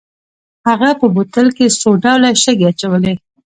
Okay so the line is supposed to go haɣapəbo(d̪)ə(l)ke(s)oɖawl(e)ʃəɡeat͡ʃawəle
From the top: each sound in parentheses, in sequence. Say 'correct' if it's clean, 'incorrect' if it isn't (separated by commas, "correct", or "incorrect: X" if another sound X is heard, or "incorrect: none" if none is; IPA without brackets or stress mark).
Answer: incorrect: t̪, correct, correct, incorrect: a